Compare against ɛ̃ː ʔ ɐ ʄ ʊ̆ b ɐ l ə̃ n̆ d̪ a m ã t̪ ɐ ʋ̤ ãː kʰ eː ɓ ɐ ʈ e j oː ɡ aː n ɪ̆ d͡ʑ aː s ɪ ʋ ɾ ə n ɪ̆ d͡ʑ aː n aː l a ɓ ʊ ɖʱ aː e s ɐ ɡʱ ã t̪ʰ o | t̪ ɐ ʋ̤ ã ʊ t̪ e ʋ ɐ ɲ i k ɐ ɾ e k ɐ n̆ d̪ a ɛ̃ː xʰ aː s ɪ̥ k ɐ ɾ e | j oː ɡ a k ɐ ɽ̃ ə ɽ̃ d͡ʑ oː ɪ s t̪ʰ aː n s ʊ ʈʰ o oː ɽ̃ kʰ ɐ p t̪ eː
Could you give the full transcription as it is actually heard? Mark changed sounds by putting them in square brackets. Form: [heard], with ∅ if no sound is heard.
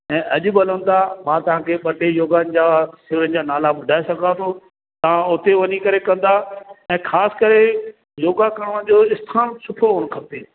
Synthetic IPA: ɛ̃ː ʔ ɐ ʄ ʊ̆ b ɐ l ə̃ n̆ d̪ a m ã t̪ ɐ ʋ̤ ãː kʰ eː ɓ ɐ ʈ e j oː ɡ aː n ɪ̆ d͡ʑ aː s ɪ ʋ ɾ ə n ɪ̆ d͡ʑ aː n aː l a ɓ ʊ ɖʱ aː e s ɐ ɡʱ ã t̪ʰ o | t̪ ɐ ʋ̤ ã ʊ t̪ e ʋ ɐ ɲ i k ɐ ɾ e k [ɐ̃] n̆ d̪ a ɛ̃ː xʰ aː s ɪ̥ k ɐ ɾ e | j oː ɡ a k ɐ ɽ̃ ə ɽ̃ d͡ʑ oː ɪ s t̪ʰ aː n s ʊ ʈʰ o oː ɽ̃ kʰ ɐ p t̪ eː

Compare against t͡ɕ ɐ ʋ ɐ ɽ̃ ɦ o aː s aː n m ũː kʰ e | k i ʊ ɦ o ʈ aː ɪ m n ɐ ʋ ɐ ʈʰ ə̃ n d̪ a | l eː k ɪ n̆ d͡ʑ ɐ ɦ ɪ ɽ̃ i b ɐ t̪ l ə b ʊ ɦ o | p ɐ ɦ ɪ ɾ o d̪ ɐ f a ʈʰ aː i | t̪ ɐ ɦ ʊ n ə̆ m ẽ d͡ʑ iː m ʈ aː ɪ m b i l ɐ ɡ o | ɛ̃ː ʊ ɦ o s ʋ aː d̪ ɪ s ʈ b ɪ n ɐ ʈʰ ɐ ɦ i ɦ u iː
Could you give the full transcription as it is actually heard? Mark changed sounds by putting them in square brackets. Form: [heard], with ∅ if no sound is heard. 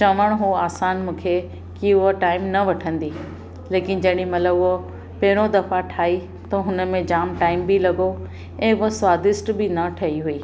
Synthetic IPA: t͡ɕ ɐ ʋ [ə] ɽ̃ ɦ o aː s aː n m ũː kʰ e | k i ʊ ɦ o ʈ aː ɪ m n ɐ ʋ ɐ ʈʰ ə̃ n d̪ [i] | l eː k ɪ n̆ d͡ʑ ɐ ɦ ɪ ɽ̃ i [m] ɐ t̪ l ə b ʊ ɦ o | p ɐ ɦ ɪ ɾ o d̪ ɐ f a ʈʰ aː i | t̪ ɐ ɦ ʊ n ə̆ m ẽ d͡ʑ [aː] m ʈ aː ɪ m b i l ɐ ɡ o | ɛ̃ː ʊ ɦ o s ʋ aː d̪ ɪ s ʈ b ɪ n ɐ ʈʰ ɐ ɦ i ɦ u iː

